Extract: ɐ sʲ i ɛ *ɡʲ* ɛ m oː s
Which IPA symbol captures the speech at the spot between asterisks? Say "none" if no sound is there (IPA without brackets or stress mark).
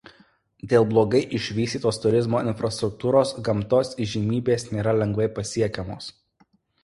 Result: kʲ